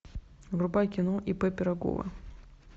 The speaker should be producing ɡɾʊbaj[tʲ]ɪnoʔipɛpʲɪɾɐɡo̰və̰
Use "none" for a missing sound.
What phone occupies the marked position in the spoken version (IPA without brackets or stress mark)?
kʲ